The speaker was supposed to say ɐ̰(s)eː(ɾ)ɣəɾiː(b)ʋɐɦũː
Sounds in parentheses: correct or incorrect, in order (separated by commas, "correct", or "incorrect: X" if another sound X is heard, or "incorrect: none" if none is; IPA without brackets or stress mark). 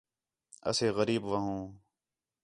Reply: correct, incorrect: none, correct